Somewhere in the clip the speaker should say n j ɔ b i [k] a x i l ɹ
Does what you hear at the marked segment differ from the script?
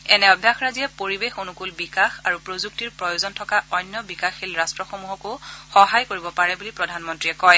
no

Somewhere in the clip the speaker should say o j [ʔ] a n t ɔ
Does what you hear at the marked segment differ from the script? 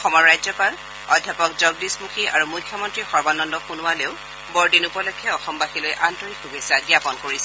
no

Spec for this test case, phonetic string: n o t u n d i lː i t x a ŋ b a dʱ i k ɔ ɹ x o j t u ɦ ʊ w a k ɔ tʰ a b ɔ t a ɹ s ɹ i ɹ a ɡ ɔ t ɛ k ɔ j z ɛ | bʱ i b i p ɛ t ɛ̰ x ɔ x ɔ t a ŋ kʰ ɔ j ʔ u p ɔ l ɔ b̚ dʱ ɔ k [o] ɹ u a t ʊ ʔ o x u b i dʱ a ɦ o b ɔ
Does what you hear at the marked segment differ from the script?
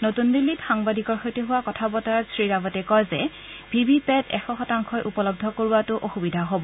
no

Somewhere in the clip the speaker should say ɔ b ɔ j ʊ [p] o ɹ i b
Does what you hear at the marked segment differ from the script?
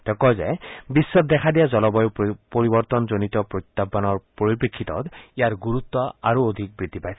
no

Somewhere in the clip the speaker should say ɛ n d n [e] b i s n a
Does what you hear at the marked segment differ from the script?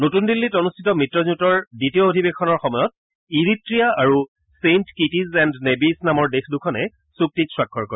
no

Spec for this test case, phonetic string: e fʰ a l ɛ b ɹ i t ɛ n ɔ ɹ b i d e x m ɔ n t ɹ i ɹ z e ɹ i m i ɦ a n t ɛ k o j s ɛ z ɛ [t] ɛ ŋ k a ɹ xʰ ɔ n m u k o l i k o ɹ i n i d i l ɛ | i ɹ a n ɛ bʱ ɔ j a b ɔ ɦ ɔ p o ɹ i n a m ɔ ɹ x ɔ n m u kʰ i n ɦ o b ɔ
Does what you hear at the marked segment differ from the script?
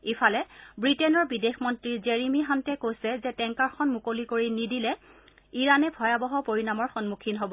no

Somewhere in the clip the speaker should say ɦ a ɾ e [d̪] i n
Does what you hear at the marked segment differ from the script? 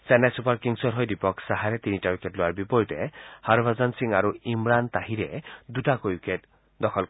yes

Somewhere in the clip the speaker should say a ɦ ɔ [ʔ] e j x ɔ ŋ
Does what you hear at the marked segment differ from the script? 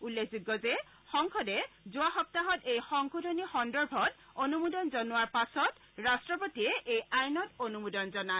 yes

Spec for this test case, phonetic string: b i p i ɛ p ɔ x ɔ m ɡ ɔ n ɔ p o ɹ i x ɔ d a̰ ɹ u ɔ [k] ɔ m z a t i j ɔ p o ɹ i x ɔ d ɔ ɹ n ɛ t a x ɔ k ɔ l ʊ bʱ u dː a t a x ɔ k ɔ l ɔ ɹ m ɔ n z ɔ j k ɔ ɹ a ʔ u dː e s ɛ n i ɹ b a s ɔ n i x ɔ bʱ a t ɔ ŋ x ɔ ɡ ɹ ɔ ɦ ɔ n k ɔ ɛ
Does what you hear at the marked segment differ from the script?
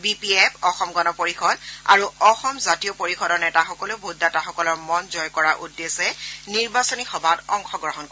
yes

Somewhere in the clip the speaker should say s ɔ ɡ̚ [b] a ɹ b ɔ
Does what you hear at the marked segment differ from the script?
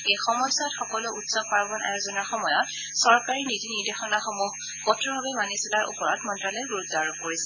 yes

